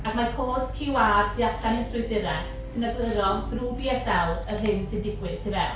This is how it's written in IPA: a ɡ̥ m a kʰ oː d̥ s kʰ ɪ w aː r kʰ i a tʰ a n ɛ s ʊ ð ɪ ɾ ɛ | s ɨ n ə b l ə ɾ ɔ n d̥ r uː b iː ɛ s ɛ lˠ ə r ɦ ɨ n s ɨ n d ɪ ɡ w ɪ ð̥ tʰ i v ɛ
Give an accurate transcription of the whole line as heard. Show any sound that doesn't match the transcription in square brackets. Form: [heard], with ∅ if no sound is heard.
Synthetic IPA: a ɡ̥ m a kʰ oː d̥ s kʰ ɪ w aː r [tʰ] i a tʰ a n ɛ s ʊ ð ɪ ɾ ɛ | s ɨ n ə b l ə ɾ ɔ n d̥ r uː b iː ɛ s ɛ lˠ ə r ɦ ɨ n s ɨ n d ɪ ɡ w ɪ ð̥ tʰ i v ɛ